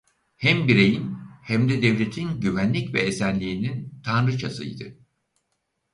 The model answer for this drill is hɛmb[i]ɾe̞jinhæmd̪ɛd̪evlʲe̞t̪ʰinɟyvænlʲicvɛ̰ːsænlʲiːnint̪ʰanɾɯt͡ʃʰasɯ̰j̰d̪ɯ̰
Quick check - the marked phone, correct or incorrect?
correct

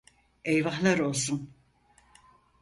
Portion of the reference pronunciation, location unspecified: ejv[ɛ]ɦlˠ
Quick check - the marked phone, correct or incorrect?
incorrect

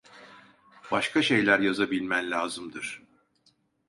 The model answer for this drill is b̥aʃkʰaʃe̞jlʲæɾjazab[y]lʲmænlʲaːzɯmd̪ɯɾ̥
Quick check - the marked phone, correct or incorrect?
incorrect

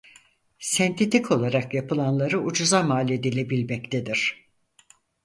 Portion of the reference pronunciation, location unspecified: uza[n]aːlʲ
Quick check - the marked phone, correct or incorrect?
incorrect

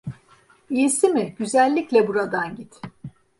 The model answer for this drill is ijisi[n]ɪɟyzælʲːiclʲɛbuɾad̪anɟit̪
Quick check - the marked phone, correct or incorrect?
incorrect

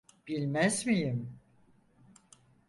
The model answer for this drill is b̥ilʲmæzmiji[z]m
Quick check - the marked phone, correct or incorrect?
incorrect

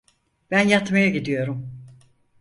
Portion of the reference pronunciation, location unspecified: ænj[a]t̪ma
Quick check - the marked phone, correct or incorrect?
correct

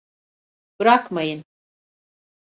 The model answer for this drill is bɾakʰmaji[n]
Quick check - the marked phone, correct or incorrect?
correct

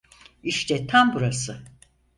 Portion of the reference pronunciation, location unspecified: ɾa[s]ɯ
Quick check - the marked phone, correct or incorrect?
correct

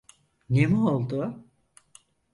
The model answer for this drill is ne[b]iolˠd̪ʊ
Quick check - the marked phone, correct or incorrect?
incorrect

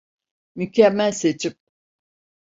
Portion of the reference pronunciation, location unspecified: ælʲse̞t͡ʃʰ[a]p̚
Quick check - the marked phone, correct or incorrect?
incorrect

